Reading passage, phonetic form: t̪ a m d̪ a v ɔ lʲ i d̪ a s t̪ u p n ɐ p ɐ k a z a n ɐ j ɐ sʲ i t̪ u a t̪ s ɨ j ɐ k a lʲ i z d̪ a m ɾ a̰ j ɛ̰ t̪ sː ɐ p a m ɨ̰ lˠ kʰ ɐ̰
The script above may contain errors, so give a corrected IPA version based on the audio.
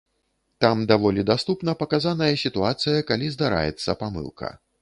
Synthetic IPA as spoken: t̪ a m d̪ a v ɔ lʲ i d̪ a s t̪ u p n ɐ p ɐ k a z a n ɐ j ɐ sʲ i t̪ u a t̪ s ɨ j ɐ k a lʲ i z d̪ a ɾ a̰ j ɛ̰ t̪ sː ɐ p a m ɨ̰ lˠ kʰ ɐ̰